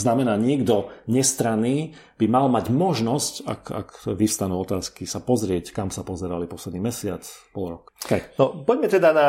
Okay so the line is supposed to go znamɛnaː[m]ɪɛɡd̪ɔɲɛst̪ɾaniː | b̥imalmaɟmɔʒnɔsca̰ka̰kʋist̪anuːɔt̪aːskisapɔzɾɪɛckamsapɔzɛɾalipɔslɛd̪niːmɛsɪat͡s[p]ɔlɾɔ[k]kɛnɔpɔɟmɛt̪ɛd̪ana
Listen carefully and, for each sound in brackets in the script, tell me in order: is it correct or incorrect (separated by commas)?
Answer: incorrect, correct, correct